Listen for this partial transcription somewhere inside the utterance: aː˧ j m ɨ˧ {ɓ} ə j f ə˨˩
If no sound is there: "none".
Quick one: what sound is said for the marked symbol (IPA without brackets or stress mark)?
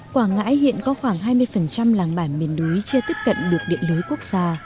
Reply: none